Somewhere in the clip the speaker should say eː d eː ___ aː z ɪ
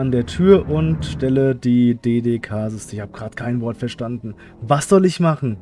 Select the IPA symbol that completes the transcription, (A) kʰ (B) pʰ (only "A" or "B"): A